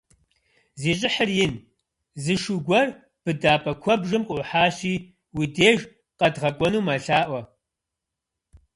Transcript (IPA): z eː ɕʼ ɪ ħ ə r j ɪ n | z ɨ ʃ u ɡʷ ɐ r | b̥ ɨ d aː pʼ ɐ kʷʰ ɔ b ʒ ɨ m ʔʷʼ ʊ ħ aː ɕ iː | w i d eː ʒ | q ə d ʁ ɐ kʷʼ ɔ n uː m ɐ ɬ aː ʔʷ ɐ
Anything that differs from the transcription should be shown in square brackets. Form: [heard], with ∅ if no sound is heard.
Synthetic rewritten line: z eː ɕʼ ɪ ħ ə r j ɪ n | z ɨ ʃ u ɡʷ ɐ r | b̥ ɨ d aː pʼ ɐ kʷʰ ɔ b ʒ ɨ m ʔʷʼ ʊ ħ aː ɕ iː | w i d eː ʒ | q [ɐ] d ʁ ɐ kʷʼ ɔ n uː m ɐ ɬ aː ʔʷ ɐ

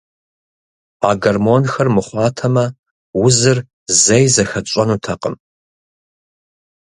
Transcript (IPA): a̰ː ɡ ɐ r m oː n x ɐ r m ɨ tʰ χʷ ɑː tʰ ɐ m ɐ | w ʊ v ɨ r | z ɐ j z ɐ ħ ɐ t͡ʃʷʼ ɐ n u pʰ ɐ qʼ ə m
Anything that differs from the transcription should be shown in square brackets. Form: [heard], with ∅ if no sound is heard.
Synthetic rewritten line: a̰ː ɡ ɐ r m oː n x ɐ r m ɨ [∅] χʷ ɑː tʰ ɐ m ɐ | w ʊ [z] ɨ r | z ɐ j z ɐ [x] ɐ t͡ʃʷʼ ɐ n u [tʰ] ɐ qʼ ə m

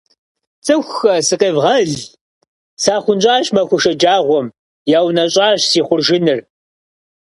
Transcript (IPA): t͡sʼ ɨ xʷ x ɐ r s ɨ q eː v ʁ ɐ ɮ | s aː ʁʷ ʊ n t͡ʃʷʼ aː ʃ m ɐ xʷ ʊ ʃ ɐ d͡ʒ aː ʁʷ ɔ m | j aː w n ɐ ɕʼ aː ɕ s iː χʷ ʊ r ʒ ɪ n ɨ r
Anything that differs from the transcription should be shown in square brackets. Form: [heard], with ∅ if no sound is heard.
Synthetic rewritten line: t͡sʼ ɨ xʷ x ɐ [∅] s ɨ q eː v ʁ ɐ ɮ | s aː [χʷ] ʊ n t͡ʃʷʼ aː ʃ m ɐ xʷ ʊ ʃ ɐ d͡ʒ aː ʁʷ ɔ m | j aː w n ɐ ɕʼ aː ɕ s iː χʷ ʊ r ʒ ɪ n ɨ r

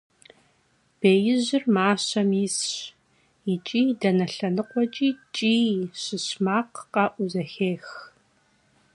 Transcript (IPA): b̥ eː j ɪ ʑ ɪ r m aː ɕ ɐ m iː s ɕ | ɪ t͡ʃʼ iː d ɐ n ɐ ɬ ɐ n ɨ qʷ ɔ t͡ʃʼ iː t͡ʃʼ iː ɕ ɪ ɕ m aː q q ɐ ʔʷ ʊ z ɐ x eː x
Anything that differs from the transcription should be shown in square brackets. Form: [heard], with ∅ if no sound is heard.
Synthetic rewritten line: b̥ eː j ɪ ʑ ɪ r m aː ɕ ɐ m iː s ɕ | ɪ t͡ʃʼ iː d ɐ n ɐ ɬ ɐ n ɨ qʷ ɔ t͡ʃʼ iː t͡ʃʼ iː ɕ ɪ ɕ m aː q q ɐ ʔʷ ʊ z ɐ x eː x

